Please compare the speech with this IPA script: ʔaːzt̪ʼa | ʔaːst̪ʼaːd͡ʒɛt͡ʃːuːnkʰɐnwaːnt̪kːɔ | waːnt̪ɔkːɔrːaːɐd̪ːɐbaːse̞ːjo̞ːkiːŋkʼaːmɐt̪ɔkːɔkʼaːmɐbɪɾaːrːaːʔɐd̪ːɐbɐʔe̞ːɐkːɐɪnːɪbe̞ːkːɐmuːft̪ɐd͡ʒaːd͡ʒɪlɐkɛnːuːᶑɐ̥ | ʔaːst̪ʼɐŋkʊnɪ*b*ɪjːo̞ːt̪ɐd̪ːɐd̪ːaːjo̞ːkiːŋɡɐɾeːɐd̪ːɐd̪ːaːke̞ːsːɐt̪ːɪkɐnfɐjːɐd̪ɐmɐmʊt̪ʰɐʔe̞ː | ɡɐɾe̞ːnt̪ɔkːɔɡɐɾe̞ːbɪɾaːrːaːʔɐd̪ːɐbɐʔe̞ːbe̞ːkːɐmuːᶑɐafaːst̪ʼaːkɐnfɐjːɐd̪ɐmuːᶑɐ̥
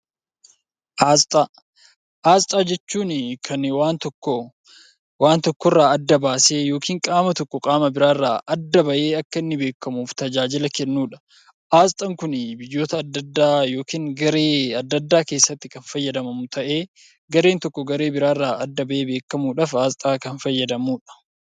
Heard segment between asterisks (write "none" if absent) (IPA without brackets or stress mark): b